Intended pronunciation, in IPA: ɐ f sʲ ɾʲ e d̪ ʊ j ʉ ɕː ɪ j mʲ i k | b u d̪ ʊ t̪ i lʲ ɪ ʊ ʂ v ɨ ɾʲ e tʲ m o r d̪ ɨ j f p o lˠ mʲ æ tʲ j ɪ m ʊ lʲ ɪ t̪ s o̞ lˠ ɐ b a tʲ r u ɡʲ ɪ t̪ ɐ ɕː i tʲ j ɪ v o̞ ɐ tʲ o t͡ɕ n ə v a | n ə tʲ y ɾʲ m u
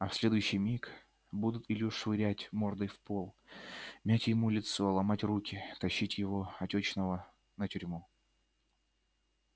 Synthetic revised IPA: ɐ f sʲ lʲ e d̪ ʊ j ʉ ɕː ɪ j mʲ i k | b u d̪ ʊ t̪ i lʲ ɪ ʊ ʂ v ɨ ɾʲ æ tʲ m o r d̪ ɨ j f p o lˠ mʲ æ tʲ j ɪ m u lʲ ɪ t̪ s o̞ lˠ ɐ m a tʲ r u kʲ ɪ t̪ ɐ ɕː i tʲ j ɪ v o̞ ɐ tʲ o t͡ɕ n ə v ə | n ə tʲ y ɾʲ m u

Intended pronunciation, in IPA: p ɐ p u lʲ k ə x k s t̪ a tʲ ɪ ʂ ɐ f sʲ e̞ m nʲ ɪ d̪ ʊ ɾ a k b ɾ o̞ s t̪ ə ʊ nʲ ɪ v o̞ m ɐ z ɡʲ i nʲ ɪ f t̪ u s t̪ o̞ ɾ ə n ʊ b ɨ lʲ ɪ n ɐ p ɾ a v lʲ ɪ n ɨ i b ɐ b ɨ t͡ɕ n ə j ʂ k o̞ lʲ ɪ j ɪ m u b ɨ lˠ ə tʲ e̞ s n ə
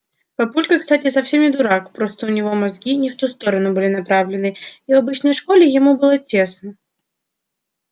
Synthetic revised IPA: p ɐ p u lʲ k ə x k s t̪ a tʲ ɪ s ɐ f sʲ e̞ m nʲ ɪ d̪ ʊ ɾ a k p ɾ o̞ s t̪ ə ʊ nʲ ɪ v o̞ m ɐ z ɡʲ i nʲ ɪ f t̪ u s t̪ o̞ ɾ ə n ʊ b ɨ lʲ ɪ n ɐ p ɾ a v lʲ ɪ n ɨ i v ɐ b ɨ t͡ɕ n ə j ʂ k o̞ lʲ ɪ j ɪ m u b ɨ lˠ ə tʲ e̞ s n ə

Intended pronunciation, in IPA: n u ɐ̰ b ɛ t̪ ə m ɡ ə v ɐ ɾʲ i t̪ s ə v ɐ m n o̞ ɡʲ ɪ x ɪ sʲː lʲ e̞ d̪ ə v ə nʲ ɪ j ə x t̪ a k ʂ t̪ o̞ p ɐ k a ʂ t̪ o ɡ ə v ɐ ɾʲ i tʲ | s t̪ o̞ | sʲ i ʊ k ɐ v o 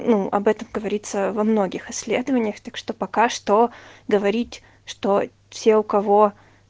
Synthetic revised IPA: n u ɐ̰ b ɛ t̪ ə m ɡ ə v ɐ ɾʲ i t̪ s ə v ɐ m n o̞ ɡʲ ɪ x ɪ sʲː lʲ e̞ d̪ ə v ə nʲ ɪ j ə x t̪ a k ʂ t̪ o̞ p ɐ k a ʂ t̪ o ɡ ə v ɐ ɾʲ i tʲ | ʂ t̪ o̞ | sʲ e ʊ k ɐ v o

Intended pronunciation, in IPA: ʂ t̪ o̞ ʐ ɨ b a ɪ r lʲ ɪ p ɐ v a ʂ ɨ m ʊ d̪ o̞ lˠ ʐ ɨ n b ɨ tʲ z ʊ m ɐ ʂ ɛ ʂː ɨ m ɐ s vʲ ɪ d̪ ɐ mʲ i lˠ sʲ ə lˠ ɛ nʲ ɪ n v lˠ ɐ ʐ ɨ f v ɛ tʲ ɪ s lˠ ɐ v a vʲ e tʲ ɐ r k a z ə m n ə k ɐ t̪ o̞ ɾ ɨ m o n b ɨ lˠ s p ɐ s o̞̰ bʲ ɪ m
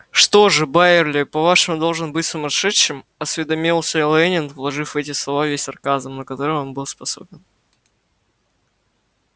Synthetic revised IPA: ʂ t̪ o̞ ʐ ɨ b a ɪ r lʲ ɪ p ɐ v a ʂ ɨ m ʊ d̪ o̞ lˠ ʐ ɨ n b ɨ tʲ s ʊ m ɐ ʂ ɛ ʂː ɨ m ɐ s vʲ ɪ d̪ ɐ mʲ i lˠ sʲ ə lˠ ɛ nʲ ɪ n v lˠ ɐ ʐ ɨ f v ɛ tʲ ɪ s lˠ ɐ v a vʲ e sʲ ɐ r k a z ə m n ə k ɐ t̪ o̞ ɾ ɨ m o n b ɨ lˠ s p ɐ s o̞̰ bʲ ɪ n

